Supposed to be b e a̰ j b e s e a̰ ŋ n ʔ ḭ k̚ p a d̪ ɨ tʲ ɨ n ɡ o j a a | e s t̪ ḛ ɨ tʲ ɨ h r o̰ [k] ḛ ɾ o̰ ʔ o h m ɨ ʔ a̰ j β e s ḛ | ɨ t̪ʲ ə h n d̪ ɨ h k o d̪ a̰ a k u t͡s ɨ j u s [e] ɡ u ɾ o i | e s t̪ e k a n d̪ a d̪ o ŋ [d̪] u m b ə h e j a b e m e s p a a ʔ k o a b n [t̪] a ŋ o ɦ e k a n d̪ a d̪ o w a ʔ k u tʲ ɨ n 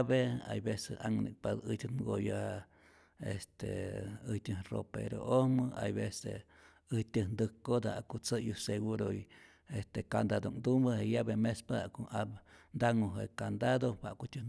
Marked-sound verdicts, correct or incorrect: incorrect, correct, correct, incorrect

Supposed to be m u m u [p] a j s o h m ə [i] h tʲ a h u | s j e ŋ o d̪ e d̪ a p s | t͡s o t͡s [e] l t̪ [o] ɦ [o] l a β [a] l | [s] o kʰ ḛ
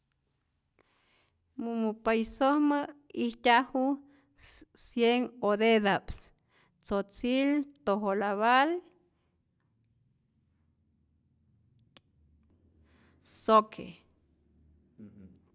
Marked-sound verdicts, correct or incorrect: correct, correct, incorrect, correct, correct, correct, correct

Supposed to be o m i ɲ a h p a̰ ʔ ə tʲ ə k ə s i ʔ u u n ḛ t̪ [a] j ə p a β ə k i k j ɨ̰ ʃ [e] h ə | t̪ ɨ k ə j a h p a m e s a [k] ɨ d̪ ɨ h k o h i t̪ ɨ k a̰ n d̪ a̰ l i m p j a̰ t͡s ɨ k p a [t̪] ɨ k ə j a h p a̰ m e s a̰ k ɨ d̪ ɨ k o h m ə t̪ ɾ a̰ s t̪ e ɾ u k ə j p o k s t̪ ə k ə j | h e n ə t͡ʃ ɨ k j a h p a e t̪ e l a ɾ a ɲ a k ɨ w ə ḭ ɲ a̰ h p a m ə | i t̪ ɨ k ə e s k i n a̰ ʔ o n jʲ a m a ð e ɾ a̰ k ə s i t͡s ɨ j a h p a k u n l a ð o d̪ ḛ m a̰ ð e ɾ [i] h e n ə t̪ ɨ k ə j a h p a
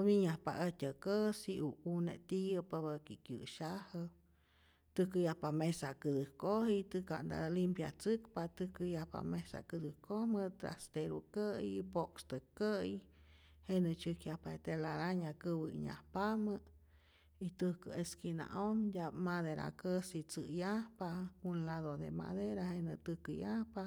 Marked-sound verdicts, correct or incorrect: incorrect, incorrect, correct, correct, incorrect

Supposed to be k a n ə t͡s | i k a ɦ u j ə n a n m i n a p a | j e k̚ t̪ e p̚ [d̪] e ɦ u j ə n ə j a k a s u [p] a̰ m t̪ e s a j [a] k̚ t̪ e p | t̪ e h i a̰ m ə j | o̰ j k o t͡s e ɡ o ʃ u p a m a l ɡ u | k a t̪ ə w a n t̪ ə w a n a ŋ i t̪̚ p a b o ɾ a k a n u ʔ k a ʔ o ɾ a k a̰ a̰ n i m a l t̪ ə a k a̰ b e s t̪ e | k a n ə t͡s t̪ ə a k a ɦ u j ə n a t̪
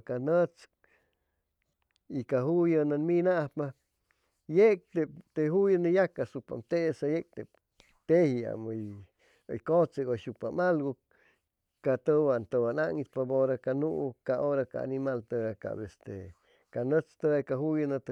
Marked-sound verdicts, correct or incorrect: incorrect, correct, incorrect

